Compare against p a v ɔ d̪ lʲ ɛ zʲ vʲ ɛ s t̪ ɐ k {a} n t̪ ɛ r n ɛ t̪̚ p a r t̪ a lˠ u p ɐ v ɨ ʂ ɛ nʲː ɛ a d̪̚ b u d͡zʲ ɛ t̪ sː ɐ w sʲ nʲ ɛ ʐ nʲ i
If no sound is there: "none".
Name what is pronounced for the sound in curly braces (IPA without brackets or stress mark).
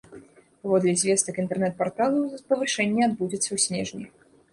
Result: i